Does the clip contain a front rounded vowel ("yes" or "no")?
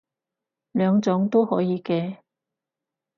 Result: yes